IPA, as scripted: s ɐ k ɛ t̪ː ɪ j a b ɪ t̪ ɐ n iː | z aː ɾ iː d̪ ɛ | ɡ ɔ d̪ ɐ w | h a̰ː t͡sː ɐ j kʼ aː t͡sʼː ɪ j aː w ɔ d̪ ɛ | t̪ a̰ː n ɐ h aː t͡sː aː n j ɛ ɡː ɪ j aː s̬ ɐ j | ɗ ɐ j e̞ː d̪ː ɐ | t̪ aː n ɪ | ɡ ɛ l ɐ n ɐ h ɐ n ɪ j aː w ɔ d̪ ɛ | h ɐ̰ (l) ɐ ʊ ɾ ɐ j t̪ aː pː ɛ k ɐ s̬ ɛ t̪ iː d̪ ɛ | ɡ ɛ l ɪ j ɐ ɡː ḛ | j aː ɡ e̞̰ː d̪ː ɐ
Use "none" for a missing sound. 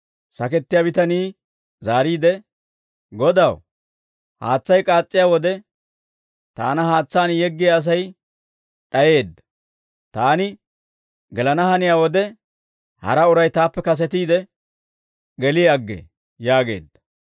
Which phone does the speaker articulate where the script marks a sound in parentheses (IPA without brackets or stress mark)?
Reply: ɾ